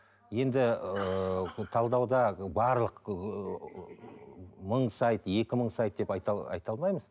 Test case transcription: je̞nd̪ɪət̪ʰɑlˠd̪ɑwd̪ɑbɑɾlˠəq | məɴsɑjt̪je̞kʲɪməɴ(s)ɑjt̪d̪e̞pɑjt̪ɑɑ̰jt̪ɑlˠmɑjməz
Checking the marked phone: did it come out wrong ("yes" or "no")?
no